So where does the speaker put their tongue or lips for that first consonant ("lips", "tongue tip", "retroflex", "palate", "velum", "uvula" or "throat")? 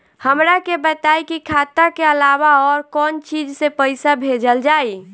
throat